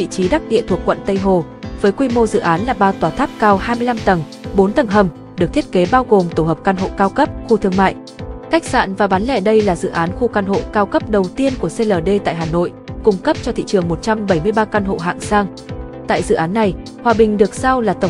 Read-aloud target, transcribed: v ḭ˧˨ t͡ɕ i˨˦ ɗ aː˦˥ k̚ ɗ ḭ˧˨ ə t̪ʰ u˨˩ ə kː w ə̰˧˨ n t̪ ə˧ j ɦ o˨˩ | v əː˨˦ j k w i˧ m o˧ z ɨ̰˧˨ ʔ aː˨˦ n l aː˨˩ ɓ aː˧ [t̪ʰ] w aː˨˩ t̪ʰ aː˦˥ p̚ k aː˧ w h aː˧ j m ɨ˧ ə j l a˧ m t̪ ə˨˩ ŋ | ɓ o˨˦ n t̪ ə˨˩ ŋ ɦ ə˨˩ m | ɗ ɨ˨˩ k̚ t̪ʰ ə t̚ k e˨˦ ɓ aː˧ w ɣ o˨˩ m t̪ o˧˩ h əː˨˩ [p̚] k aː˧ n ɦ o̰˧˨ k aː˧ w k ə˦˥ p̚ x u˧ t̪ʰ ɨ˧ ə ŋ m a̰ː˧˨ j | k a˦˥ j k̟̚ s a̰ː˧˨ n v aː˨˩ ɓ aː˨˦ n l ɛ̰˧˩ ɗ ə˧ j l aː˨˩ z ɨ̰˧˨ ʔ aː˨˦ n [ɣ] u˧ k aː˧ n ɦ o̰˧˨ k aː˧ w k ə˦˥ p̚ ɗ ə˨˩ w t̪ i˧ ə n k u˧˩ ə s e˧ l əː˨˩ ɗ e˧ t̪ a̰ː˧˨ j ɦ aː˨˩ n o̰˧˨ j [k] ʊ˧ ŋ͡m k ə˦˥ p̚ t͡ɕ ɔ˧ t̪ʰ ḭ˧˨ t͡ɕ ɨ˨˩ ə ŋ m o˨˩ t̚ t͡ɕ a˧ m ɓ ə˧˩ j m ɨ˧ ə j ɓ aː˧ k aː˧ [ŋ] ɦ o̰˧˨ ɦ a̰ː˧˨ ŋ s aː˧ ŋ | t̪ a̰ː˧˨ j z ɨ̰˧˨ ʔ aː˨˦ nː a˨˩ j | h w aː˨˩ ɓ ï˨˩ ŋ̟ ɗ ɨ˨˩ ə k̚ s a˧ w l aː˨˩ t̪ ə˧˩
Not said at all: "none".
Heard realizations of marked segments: t̪, p̚, x, k, n

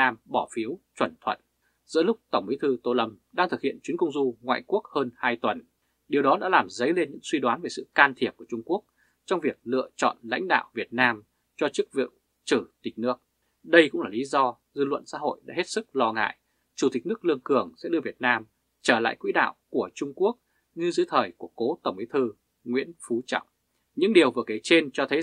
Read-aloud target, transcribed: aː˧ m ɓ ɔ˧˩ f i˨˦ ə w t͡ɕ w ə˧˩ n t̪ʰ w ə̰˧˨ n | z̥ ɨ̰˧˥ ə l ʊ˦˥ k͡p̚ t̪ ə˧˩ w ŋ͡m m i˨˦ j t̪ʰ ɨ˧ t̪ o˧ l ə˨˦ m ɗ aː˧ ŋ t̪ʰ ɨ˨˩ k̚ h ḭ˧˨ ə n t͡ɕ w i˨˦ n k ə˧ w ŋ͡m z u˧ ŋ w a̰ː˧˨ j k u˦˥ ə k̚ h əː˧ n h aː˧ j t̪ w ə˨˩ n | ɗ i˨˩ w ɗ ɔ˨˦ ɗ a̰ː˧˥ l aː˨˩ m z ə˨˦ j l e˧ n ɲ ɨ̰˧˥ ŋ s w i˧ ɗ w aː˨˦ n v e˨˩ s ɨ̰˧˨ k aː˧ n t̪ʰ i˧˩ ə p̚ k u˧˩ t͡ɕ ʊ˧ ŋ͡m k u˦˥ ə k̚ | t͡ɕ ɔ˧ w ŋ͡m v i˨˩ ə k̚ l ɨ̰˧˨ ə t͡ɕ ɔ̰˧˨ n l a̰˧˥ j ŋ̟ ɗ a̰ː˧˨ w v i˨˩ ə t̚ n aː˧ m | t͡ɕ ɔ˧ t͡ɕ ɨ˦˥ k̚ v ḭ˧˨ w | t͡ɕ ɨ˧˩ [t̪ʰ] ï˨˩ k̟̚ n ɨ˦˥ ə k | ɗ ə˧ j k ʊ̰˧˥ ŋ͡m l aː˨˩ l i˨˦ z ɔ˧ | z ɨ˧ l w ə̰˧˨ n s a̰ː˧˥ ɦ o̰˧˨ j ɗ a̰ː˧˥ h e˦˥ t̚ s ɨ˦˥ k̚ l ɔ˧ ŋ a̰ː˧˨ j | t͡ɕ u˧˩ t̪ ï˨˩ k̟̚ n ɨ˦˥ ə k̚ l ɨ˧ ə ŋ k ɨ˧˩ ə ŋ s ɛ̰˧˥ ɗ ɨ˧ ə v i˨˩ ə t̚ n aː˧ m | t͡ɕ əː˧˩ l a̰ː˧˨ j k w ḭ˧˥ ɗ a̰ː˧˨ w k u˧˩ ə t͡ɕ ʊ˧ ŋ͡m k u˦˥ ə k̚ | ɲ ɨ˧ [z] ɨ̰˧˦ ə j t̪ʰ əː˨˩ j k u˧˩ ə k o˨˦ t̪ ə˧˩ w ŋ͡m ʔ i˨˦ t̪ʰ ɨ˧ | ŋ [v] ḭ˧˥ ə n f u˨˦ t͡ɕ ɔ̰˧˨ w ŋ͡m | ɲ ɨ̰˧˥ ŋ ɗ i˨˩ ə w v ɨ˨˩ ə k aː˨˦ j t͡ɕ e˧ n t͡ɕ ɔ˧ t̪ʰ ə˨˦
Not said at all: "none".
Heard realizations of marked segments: t̪, z, w

